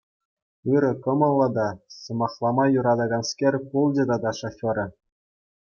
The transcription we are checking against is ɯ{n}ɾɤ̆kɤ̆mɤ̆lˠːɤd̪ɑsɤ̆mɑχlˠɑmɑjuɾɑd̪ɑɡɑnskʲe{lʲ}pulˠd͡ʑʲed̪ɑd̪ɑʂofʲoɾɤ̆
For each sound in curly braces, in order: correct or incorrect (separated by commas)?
incorrect, incorrect